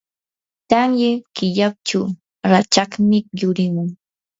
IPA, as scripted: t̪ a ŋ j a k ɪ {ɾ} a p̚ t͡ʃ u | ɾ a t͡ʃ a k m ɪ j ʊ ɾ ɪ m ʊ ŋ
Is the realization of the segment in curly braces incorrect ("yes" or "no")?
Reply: yes